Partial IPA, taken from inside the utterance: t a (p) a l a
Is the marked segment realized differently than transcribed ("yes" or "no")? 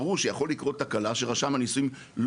yes